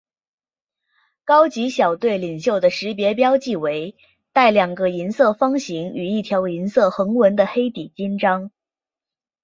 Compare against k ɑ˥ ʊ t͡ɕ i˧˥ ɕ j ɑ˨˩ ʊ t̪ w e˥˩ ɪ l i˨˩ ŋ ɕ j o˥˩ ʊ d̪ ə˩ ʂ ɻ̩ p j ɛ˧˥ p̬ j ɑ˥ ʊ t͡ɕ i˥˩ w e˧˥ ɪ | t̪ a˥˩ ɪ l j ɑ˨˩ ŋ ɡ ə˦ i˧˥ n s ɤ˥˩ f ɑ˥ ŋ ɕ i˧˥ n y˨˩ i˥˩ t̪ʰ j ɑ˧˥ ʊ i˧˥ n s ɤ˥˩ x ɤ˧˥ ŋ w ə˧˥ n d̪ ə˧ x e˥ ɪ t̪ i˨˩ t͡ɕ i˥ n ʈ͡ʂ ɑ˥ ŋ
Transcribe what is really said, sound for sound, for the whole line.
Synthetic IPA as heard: k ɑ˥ ʊ t͡ɕ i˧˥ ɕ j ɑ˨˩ ʊ t̪ w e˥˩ ɪ l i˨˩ ŋ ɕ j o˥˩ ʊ d̪ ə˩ ʂ ɻ̩ p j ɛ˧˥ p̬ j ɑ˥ ʊ t͡ɕ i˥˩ w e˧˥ ɪ | t̪ a˥˩ ɪ l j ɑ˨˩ ŋ ɡ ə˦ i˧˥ n s ɤ˥˩ f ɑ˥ ŋ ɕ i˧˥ ŋ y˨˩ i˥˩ t̪ʰ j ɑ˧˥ ʊ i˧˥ n s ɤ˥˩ x ɤ˧˥ ŋ w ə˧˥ n d̪ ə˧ x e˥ ɪ t̪ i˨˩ t͡ɕ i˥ n ʈ͡ʂ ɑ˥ ŋ

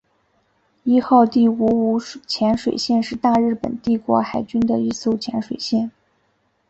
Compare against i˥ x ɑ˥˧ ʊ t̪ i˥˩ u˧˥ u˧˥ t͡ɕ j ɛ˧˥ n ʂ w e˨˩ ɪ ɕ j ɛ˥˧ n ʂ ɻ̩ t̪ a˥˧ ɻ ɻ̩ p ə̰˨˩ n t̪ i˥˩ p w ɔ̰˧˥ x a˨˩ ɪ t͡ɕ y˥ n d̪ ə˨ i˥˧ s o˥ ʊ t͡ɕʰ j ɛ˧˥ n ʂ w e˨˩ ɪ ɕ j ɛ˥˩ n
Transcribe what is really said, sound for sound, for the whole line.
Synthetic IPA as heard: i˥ x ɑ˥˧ ʊ t̪ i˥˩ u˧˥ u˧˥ t͡ɕʰ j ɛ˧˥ n ʂ w e˨˩ ɪ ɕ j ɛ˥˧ n ʂ ɻ̩ t̪ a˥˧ ɻ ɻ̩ p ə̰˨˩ n t̪ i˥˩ k w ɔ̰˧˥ x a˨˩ ɪ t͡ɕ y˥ n d̪ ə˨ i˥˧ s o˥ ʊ t͡ɕʰ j ɛ˧˥ n ʂ w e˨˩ ɪ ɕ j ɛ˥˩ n

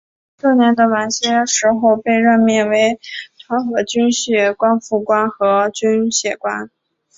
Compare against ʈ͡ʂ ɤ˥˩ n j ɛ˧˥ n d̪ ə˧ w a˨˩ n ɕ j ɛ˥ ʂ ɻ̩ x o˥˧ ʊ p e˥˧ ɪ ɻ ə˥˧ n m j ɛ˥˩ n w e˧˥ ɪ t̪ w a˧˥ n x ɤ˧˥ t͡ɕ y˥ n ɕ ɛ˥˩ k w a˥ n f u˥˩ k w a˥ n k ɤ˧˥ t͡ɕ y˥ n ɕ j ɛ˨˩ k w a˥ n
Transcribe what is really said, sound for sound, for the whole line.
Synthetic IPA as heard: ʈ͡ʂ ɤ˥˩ n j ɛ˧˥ n d̪ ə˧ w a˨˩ n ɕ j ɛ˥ ʂ ɻ̩ x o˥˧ ʊ p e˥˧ ɪ ɻ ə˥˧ n m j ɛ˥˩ n w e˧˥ ɪ t̪ʰ w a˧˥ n x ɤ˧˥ t͡ɕ y˥ n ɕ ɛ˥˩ k w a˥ n f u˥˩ k w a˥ n x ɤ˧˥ t͡ɕ y˥ n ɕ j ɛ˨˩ k w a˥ n

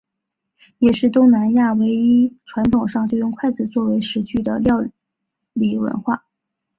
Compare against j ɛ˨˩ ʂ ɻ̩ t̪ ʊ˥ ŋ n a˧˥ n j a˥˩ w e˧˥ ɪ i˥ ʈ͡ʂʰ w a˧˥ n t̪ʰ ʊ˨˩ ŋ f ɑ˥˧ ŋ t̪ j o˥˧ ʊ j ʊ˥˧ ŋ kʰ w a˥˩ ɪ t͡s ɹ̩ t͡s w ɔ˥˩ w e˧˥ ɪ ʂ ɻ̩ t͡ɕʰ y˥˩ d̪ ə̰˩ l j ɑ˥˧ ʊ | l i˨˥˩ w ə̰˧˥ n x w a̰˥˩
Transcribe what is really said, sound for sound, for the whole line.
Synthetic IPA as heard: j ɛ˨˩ ʂ ɻ̩ t̪ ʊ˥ ŋ n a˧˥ n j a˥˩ w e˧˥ ɪ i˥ ʈ͡ʂʰ w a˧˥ n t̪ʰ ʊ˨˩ ŋ ʂ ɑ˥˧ ŋ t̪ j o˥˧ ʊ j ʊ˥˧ ŋ kʰ w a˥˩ ɪ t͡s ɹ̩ t͡s w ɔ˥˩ w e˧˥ ɪ ʂ ɻ̩ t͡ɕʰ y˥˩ d̪ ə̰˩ l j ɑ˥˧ ʊ | l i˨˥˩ w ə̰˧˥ n x w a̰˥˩

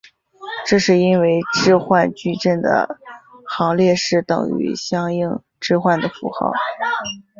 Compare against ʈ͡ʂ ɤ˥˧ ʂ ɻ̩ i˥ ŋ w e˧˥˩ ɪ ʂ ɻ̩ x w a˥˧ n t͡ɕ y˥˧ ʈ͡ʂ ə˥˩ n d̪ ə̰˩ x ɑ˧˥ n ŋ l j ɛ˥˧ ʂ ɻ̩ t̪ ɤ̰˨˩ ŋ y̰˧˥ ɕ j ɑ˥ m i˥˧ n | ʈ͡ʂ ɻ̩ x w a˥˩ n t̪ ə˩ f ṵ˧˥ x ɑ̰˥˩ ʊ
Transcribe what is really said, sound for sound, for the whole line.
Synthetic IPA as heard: ʈ͡ʂ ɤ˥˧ ʂ ɻ̩ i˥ n w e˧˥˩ ɪ ʈ͡ʂ ɻ̩ x w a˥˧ n t͡ɕ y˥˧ ʈ͡ʂ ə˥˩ n d̪ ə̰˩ x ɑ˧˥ ŋ l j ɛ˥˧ ʂ ɻ̩ t̪ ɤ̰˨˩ ŋ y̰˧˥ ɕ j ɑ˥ ŋ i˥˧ ŋ | ʈ͡ʂ ɻ̩ x w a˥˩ n d̪ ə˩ f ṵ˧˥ x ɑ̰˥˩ ʊ

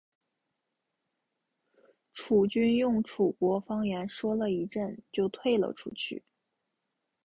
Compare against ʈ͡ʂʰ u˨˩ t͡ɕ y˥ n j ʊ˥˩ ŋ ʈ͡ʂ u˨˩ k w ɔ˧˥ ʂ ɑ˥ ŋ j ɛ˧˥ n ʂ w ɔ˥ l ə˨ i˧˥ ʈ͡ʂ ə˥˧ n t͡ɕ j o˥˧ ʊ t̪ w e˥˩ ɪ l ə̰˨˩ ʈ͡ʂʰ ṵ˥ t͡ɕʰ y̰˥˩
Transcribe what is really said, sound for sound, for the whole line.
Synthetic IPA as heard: ʈ͡ʂʰ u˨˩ t͡ɕ y˥ n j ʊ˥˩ ŋ ʈ͡ʂʰ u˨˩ k w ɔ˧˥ f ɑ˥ ŋ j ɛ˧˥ n ʂ w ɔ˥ l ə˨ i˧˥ ʈ͡ʂ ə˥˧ n t͡ɕ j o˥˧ ʊ t̪ʰ w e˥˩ ɪ l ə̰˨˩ ʈ͡ʂʰ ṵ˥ t͡ɕʰ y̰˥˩

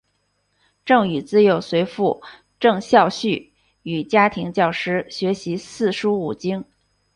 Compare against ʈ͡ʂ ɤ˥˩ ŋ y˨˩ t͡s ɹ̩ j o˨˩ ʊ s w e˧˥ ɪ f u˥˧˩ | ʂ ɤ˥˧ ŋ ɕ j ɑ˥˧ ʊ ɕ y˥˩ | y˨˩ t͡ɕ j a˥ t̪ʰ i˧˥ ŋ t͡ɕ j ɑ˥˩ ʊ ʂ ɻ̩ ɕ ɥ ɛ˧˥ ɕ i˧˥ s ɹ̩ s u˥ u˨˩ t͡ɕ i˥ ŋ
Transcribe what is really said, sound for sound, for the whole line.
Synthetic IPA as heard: ʈ͡ʂ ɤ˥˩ ŋ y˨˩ t͡s ɹ̩ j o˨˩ ʊ s w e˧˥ ɪ f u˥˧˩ | ʈ͡ʂ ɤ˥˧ ŋ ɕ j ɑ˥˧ ʊ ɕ y˥˩ | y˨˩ t͡ɕ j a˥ t̪ʰ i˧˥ ŋ t͡ɕ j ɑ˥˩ ʊ ʂ ɻ̩ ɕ ɥ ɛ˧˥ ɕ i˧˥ s ɹ̩ ʂ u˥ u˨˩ t͡ɕ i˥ ŋ

